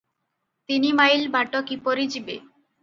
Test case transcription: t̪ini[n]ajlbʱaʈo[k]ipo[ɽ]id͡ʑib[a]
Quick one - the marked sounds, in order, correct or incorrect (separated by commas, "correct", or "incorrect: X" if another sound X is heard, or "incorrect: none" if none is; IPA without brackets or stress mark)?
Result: incorrect: m, correct, incorrect: ɾ, incorrect: e